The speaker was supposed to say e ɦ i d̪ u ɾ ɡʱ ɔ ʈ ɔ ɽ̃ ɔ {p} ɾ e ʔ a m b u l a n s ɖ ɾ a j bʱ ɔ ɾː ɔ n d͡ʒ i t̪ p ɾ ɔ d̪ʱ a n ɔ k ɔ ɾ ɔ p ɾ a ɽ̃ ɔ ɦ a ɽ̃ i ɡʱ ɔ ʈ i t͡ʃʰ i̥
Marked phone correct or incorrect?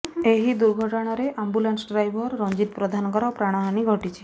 incorrect